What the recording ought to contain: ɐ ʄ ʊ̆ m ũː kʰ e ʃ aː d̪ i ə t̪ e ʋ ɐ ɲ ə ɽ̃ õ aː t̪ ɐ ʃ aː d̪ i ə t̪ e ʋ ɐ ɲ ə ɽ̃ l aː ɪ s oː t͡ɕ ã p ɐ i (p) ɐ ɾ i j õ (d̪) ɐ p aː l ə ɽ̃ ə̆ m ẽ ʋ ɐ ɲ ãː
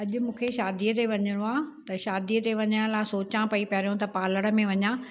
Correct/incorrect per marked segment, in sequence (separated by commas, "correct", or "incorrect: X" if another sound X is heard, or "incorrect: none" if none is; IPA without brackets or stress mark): correct, incorrect: t̪